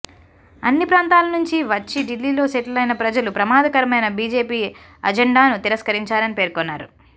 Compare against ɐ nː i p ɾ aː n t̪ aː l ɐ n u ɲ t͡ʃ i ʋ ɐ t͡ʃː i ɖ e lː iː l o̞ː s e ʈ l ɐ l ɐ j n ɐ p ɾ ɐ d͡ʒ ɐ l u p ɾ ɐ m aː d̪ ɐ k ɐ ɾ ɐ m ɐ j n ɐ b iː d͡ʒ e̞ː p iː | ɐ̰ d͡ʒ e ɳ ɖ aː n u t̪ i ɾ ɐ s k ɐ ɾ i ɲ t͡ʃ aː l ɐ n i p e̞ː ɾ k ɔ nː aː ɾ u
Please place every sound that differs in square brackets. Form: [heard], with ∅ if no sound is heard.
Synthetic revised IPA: ɐ nː i p ɾ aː n t̪ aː l ɐ n u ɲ t͡ʃ i ʋ ɐ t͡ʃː i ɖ [i] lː iː l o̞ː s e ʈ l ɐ l ɐ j n ɐ p ɾ ɐ d͡ʒ ɐ l u p ɾ ɐ m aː d̪ ɐ k ɐ ɾ ɐ m ɐ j n ɐ b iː d͡ʒ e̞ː p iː | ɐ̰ d͡ʒ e ɳ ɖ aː n u t̪ i ɾ ɐ s k ɐ ɾ i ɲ t͡ʃ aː l ɐ n i p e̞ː ɾ k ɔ nː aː ɾ u